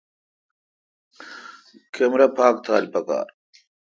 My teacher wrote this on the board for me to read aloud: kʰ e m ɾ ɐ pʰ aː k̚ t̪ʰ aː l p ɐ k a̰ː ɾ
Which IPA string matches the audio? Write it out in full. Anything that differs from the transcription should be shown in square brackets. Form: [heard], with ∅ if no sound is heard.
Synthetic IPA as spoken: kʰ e m ɾ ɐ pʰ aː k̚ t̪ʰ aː l p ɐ k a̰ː ɾ